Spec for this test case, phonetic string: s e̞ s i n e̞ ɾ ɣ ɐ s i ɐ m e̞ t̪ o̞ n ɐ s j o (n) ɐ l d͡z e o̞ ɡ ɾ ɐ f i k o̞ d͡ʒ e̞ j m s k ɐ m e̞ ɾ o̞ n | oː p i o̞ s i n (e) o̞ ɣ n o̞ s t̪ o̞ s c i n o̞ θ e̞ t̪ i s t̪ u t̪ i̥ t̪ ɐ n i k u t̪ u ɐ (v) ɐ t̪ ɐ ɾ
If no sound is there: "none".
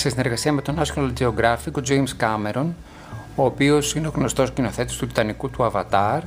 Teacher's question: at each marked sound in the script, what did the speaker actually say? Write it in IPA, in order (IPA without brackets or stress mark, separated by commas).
n, e, v